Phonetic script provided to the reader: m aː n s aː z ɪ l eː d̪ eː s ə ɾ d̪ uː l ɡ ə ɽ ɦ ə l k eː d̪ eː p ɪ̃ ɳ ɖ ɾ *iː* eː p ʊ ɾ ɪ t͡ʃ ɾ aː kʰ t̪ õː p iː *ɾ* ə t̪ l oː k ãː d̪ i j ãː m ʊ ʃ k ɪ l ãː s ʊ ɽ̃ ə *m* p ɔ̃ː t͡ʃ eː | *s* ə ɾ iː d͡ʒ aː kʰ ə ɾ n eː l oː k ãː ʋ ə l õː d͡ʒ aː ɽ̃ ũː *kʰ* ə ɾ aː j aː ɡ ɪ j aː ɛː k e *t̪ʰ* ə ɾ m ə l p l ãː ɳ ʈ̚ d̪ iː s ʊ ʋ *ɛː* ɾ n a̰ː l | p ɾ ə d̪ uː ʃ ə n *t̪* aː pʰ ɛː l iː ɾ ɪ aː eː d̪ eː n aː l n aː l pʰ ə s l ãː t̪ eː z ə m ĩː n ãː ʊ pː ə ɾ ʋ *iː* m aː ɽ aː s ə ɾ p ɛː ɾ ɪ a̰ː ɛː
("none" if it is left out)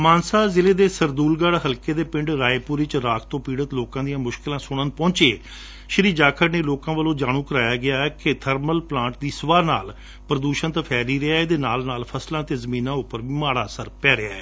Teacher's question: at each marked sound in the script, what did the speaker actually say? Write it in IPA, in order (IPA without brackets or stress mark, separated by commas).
aː, ɽ, n, ʃ, k, t̪ʰ, aː, t̪, iː